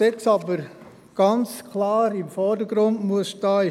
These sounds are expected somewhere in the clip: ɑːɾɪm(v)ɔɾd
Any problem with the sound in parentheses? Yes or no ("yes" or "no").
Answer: yes